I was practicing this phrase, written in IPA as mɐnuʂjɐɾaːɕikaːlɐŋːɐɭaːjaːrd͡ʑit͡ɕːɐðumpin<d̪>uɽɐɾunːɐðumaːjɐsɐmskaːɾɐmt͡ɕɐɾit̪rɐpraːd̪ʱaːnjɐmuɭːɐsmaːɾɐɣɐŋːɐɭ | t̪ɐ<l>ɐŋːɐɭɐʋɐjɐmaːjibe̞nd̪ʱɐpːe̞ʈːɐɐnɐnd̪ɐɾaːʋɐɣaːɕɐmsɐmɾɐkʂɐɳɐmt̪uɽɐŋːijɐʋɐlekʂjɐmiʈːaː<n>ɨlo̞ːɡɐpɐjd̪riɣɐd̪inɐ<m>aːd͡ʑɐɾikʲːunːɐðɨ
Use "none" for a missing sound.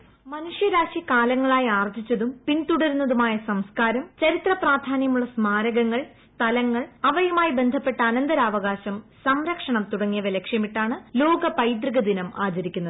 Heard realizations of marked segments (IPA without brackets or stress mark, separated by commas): t̪, l, ɳ, m